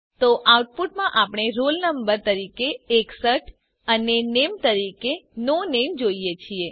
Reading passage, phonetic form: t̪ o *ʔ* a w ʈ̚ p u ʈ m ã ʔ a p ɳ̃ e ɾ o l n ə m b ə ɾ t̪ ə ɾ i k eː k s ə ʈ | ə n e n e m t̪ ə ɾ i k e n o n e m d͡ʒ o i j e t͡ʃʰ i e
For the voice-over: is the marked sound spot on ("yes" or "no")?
yes